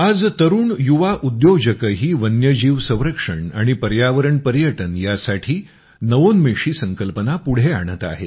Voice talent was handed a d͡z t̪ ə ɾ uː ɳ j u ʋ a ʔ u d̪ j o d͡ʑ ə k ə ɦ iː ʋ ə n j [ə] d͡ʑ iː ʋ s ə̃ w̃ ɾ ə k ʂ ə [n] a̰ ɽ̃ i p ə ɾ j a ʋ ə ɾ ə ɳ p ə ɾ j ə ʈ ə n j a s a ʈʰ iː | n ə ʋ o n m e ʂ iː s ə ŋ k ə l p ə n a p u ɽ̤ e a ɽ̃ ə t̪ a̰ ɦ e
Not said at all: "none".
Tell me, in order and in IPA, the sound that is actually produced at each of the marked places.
ə, ɳ

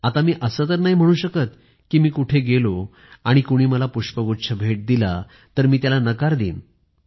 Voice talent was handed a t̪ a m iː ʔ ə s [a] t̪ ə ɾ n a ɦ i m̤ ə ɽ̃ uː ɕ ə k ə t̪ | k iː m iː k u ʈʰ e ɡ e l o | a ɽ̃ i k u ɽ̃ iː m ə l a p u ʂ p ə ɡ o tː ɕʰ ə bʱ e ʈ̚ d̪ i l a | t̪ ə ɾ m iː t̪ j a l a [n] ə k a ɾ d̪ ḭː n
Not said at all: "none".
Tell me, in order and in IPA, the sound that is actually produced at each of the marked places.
ə, n

